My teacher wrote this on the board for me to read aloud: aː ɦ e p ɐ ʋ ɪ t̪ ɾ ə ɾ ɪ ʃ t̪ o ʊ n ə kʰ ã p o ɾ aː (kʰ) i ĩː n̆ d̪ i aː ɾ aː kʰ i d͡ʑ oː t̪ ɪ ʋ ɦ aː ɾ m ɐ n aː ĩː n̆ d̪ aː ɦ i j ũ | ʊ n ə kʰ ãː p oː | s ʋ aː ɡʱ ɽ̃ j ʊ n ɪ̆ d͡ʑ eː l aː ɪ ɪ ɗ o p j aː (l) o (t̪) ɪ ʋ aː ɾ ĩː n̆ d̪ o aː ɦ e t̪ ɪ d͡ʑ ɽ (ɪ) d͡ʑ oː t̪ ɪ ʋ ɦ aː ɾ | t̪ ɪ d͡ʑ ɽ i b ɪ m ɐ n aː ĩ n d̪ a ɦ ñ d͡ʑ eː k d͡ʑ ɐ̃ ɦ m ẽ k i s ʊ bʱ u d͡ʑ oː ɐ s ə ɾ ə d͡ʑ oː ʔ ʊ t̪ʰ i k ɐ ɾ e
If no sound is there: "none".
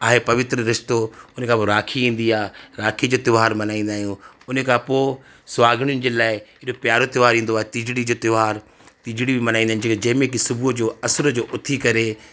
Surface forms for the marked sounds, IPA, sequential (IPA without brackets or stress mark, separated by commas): kʰ, ɾ, t̪, i